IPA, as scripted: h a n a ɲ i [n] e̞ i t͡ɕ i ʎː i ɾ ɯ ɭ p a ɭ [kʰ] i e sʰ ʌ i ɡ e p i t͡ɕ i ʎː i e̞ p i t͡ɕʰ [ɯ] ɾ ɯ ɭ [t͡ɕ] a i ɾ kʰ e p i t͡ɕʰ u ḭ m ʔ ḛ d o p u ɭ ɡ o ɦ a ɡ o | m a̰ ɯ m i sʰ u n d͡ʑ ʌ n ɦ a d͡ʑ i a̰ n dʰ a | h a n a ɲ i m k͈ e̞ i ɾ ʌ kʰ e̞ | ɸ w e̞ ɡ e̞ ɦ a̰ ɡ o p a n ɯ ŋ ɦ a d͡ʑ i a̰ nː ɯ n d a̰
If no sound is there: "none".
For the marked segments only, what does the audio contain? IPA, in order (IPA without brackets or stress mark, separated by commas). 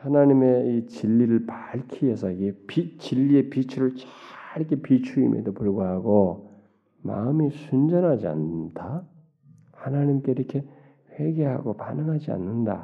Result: m, kʰ, u, t͡ɕ